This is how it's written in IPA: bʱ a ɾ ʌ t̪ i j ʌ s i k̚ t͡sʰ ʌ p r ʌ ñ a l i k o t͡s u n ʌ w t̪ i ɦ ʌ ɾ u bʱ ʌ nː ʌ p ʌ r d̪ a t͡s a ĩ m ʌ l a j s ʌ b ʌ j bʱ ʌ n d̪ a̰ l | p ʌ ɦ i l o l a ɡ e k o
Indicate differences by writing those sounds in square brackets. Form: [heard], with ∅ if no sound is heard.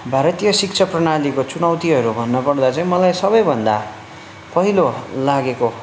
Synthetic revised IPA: bʱ a ɾ ʌ t̪ i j ʌ s i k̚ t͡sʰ ʌ p r ʌ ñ a l i k o t͡s u n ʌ w t̪ i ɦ ʌ ɾ u bʱ ʌ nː ʌ p ʌ r d̪ a t͡s a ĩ m ʌ l a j s ʌ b ʌ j bʱ ʌ n d̪ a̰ [∅] | p ʌ ɦ i l o l a ɡ e k o